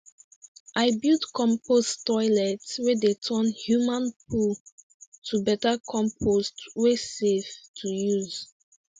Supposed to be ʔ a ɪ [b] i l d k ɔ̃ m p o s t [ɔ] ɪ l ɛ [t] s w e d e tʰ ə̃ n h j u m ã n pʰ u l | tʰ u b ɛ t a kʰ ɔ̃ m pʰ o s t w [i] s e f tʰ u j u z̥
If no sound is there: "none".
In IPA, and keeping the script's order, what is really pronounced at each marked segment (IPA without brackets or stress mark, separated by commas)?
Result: b, ɔ, t, e